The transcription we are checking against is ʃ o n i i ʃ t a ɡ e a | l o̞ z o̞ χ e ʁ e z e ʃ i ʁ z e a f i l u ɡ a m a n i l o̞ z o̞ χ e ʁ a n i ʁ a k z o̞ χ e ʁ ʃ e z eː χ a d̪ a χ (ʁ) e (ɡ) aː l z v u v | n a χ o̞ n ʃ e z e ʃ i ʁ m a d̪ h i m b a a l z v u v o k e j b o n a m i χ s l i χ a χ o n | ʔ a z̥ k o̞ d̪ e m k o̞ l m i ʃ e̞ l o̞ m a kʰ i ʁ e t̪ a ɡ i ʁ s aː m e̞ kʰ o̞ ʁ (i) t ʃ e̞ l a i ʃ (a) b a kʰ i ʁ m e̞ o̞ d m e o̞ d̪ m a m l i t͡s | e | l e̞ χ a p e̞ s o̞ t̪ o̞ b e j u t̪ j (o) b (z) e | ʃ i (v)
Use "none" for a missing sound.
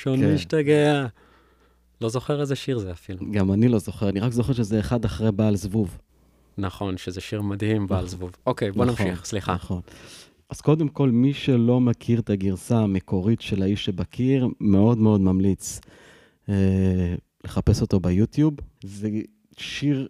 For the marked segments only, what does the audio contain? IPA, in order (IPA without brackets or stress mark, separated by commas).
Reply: ʁ, b, i, e, u, z, ʁ